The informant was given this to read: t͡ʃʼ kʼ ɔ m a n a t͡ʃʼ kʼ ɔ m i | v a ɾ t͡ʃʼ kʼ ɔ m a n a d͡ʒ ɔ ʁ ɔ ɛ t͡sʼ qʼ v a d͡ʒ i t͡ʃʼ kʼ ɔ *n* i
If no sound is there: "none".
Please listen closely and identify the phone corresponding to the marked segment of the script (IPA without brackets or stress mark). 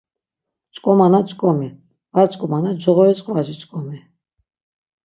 m